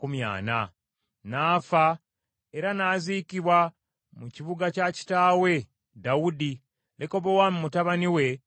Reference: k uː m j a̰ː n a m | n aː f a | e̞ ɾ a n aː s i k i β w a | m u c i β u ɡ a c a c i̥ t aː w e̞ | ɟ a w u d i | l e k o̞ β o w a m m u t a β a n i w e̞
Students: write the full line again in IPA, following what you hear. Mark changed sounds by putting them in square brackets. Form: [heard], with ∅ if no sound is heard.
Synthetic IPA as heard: k [u] m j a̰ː n a [∅] | n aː f a | e̞ ɾ a n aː [z] i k i β w a | m u c i β u ɡ a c a c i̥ t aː w e̞ | [d] a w u d i | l e k o̞ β o w a m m u t a β a n i w e̞